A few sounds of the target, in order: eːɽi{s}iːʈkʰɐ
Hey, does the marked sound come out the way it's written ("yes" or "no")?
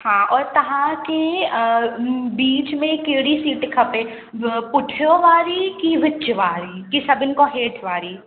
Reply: yes